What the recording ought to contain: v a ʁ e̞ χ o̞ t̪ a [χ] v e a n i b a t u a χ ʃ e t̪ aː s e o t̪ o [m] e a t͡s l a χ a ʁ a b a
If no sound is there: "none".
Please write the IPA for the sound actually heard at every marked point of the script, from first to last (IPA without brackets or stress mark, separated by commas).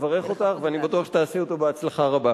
χ, b